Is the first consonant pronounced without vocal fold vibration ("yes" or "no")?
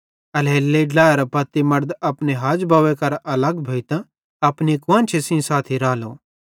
no